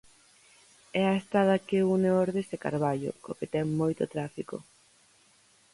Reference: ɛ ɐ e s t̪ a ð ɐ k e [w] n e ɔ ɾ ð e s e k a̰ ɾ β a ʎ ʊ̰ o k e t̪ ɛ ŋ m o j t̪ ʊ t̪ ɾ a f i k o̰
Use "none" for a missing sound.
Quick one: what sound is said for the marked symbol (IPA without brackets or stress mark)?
u